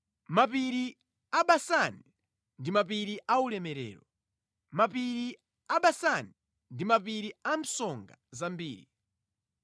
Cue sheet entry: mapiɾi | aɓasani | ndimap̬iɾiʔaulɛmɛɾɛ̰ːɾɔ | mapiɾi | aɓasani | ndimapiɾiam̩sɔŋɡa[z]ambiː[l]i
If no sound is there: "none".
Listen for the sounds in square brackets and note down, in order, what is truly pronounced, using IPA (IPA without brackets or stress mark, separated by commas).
z, ɾ